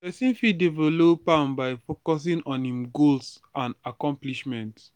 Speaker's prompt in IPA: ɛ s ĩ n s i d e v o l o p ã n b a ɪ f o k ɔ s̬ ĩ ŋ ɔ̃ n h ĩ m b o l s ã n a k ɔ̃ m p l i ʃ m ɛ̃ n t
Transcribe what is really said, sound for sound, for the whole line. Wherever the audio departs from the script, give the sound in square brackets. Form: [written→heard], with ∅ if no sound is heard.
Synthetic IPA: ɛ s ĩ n [s→f] i d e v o l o p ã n b a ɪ f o k ɔ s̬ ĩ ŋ ɔ̃ n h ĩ m [b→ɡ] o l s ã n a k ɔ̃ m p l i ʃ m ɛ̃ n t